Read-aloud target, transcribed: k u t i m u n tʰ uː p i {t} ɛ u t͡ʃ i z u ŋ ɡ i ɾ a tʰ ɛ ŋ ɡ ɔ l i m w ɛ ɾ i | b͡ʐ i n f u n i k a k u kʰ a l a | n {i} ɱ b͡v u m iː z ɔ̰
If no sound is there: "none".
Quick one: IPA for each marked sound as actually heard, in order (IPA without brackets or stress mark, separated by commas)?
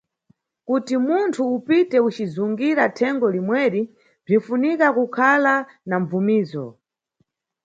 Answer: t, a